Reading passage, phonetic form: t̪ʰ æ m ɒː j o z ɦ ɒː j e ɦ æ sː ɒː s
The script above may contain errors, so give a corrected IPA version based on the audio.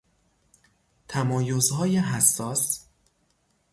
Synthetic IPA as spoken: t̪ʰ æ m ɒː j o z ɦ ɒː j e ɦ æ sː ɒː s